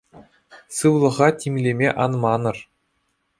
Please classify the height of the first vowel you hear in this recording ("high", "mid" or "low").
high